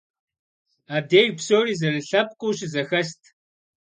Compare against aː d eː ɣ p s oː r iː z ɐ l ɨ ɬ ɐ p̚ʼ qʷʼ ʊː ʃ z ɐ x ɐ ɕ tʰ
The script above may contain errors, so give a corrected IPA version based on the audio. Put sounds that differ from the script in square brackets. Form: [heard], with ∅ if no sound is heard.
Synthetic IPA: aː d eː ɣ p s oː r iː z ɐ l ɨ ɬ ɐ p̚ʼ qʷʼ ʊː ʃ z ɐ x ɐ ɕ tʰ